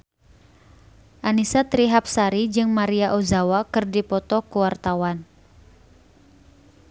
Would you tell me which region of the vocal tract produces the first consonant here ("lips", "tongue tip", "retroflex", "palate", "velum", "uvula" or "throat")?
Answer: throat